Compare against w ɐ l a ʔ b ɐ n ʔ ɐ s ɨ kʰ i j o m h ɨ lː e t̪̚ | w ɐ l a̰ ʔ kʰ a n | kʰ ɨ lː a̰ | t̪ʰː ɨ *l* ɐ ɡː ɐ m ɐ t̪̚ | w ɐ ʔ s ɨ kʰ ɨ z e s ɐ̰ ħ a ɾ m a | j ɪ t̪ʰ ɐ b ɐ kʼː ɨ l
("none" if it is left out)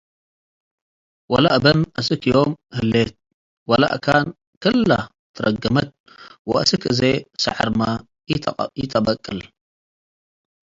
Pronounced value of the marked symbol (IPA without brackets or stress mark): ɾ